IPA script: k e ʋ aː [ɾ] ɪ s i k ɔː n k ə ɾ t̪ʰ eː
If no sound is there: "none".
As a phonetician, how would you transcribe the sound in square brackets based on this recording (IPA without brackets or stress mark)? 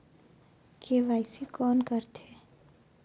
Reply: none